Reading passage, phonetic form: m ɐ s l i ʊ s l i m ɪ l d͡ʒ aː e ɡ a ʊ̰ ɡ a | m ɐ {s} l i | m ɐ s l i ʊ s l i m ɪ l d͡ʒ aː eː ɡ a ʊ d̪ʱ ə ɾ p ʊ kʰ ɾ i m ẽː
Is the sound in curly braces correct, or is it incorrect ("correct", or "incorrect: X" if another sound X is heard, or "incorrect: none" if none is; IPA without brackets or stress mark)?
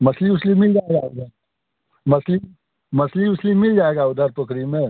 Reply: correct